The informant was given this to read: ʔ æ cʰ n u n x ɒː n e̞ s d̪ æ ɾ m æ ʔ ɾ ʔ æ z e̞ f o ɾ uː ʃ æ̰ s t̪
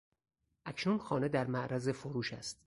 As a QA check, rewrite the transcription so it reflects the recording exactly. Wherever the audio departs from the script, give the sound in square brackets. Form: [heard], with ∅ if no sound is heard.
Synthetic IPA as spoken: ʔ æ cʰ n u n x ɒː n e̞ [∅] d̪ æ ɾ m æ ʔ ɾ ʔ æ z e̞ f o ɾ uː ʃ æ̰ s t̪